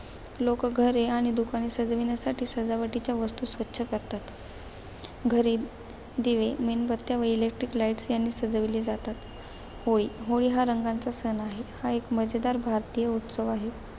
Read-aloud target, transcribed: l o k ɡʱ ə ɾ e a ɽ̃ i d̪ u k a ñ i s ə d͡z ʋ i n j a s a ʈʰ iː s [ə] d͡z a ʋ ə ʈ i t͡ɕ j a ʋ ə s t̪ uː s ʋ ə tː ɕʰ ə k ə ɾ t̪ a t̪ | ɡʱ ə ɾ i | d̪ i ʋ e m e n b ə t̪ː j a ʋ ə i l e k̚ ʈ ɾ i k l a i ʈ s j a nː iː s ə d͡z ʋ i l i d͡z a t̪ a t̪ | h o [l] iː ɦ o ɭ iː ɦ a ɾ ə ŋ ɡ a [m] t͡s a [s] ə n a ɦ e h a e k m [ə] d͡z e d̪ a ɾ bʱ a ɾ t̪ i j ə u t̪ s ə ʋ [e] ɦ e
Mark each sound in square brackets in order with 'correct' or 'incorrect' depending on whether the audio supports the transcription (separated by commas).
correct, incorrect, incorrect, correct, correct, incorrect